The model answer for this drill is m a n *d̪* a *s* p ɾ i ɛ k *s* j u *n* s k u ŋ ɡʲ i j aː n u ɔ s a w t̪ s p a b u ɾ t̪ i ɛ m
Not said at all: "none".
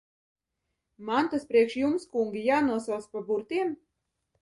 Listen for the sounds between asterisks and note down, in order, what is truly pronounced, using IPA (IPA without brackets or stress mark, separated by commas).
t̪, s, ʃ, m